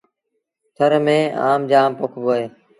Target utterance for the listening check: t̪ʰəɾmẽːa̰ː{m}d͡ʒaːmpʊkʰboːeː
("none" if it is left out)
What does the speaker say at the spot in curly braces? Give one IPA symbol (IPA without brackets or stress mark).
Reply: m